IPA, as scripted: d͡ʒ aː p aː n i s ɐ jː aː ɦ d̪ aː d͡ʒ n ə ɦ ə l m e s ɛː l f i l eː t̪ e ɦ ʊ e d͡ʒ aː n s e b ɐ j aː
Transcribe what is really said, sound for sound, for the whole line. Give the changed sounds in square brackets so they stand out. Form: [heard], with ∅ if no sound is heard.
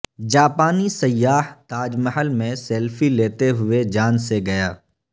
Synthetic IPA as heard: d͡ʒ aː p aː n i s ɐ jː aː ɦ [t̪] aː d͡ʒ [m] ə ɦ ə l m [ẽ] s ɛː l f i l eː t̪ e ɦ ʊ e d͡ʒ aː n s e [ɡ] ɐ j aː